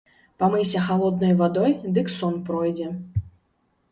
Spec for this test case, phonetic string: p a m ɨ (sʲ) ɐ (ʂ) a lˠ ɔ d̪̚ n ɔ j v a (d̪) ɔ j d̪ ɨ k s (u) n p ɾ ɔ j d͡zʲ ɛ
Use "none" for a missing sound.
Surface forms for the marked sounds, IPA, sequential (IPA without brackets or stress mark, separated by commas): sʲ, x, d̪, ɔ